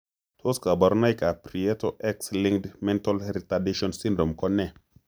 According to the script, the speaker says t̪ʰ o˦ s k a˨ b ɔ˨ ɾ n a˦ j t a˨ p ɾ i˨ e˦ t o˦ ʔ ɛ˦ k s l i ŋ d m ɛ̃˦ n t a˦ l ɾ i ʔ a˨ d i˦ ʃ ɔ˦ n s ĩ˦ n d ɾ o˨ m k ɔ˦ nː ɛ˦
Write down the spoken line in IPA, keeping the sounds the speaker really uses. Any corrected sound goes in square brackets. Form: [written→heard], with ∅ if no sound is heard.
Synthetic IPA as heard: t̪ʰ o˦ s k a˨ b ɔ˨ ɾ n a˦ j [t→k] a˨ p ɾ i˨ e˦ t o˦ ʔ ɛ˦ k s l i ŋ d m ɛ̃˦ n t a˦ l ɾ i [ʔ→t] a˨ d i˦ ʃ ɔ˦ n s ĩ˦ n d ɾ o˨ m k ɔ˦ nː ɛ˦